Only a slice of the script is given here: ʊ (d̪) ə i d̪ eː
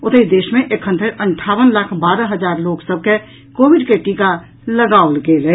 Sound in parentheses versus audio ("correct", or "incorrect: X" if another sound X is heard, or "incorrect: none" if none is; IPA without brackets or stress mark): incorrect: t̪